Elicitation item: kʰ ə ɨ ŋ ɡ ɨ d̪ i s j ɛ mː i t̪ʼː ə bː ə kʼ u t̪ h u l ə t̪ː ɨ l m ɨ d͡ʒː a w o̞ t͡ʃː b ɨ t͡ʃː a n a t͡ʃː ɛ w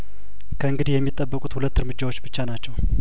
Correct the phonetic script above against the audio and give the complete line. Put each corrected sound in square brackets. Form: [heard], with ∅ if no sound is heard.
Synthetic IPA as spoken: kʰ ə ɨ ŋ ɡ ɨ d̪ i [h] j ɛ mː i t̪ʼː ə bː ə kʼ u t̪ h u l ə t̪ː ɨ [ɾ] m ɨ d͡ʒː a w o̞ t͡ʃː b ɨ t͡ʃː a n a t͡ʃː ɛ w